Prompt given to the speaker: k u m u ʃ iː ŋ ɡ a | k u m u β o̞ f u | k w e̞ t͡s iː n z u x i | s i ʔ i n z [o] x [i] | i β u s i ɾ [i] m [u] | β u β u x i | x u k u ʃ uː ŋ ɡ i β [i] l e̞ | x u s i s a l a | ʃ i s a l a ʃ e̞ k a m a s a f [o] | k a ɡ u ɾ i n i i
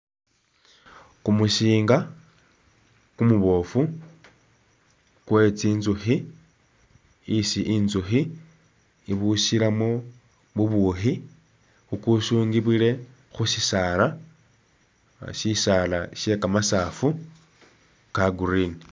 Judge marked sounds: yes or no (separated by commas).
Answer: no, yes, no, no, yes, no